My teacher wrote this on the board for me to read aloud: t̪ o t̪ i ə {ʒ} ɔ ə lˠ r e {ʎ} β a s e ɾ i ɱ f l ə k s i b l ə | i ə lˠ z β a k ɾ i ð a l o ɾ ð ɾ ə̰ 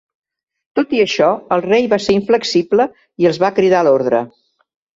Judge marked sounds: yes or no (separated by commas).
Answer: no, no